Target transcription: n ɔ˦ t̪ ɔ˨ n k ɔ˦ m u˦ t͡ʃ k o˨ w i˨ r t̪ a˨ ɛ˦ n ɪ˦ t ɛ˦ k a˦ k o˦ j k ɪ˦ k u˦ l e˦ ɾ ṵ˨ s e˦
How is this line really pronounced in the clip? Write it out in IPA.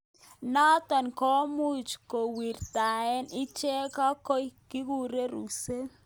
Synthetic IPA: n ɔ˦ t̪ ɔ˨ n k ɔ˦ m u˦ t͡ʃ k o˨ w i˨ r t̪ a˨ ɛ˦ n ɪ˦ t͡ʃ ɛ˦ k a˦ k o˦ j k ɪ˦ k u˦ ɾ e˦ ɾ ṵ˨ s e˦